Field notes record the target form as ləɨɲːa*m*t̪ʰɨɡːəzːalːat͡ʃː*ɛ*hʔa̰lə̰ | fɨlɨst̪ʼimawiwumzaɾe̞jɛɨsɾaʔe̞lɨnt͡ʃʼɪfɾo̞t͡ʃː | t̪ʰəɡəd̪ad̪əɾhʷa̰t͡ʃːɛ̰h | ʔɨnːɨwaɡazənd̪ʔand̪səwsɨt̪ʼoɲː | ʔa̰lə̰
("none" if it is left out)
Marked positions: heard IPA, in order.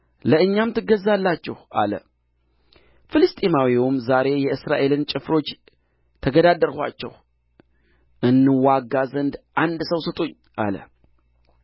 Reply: m, ɛ

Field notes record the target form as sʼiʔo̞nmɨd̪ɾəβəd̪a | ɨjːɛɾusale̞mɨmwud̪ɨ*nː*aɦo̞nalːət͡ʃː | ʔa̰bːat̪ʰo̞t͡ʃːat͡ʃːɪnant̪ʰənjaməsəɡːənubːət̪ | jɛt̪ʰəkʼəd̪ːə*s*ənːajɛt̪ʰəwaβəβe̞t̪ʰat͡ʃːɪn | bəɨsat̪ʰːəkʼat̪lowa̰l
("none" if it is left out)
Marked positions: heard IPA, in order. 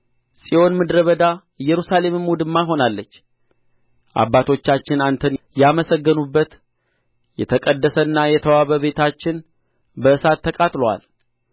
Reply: mː, s

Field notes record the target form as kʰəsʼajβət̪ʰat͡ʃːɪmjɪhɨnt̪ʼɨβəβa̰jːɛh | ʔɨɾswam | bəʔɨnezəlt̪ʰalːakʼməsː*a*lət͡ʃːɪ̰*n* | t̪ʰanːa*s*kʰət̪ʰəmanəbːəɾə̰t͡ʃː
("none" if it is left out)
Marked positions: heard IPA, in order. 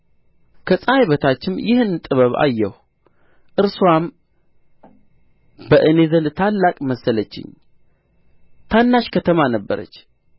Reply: ə, ɲ, ʃ

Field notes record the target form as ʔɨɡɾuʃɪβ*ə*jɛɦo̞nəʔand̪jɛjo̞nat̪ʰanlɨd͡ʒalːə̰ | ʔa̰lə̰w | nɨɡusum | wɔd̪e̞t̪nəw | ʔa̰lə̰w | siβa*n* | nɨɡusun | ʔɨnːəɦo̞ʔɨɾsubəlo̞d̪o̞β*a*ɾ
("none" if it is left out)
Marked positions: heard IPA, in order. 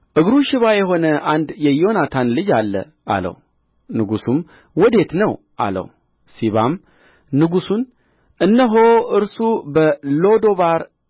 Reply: a, m, a

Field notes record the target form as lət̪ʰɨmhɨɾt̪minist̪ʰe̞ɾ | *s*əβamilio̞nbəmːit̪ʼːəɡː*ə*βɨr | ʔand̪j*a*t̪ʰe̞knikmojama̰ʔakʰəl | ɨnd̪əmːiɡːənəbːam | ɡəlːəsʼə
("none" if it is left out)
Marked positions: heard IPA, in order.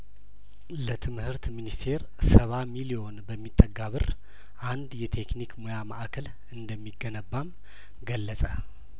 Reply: s, a, ɛ

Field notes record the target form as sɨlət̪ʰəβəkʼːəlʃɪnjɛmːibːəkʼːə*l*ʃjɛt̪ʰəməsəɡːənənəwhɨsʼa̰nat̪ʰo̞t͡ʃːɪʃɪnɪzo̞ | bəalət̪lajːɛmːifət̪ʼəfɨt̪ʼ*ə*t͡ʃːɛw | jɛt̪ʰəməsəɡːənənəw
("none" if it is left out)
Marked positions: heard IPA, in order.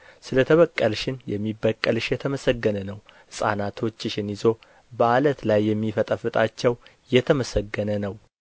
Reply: l, a

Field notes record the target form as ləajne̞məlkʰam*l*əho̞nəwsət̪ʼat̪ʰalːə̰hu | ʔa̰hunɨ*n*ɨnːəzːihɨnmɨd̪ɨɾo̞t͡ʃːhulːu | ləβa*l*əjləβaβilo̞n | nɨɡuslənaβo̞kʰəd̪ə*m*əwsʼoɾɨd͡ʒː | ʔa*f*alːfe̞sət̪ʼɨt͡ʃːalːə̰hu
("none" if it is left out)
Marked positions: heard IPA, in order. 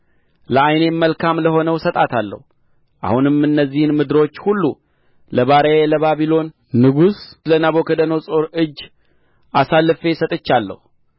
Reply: l, m, ɾ, n, s

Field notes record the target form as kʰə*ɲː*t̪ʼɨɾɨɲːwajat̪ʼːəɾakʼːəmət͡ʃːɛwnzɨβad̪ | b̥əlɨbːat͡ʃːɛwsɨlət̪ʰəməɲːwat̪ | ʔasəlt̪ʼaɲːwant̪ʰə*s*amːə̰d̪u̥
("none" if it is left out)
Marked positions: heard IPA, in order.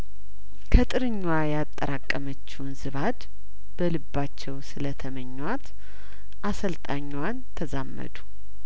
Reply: none, z

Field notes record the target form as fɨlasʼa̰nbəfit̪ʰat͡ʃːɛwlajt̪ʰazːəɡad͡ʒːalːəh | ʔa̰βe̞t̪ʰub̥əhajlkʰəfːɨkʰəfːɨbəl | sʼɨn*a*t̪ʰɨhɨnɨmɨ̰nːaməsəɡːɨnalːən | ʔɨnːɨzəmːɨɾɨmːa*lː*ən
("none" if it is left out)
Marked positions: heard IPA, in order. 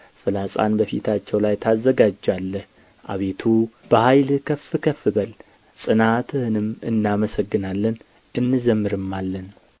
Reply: a, lː

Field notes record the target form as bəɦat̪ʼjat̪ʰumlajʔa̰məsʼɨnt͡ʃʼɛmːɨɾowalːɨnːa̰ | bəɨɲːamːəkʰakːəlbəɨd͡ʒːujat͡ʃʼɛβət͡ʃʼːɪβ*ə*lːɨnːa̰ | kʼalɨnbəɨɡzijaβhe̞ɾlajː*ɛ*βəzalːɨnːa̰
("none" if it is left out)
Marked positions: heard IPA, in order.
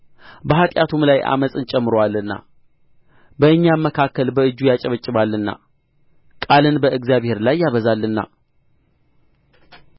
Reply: a, a

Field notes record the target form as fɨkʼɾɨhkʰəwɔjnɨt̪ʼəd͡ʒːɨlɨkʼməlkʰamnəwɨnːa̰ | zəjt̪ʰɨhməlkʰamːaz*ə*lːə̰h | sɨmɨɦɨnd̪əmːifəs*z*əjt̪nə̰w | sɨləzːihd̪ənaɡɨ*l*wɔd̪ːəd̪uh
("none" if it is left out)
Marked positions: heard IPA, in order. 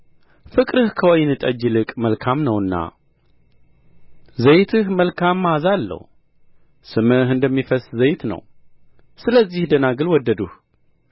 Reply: a, z, l

